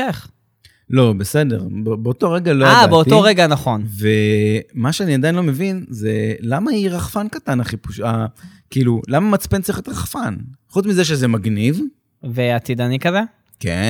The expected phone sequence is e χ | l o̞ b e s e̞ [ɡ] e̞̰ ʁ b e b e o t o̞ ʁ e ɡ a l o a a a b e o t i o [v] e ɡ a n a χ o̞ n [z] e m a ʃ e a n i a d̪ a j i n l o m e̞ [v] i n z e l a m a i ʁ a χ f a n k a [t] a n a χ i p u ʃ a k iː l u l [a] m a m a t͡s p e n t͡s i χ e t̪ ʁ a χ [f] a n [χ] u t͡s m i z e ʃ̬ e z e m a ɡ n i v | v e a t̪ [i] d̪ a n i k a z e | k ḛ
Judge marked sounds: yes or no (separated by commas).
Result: no, no, no, yes, yes, yes, yes, yes, yes